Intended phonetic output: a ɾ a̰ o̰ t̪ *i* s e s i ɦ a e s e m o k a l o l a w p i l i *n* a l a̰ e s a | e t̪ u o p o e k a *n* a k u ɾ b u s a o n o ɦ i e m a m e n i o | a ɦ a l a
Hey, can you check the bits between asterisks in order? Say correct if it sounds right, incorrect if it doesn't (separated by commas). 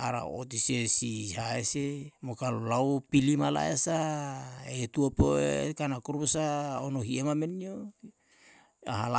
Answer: correct, incorrect, correct